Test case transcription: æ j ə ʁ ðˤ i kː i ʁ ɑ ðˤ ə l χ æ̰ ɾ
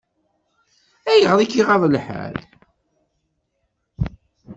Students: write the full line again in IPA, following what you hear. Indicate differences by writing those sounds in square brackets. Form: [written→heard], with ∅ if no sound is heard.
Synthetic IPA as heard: æ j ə ʁ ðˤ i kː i ʁ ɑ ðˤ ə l [χ→ħ] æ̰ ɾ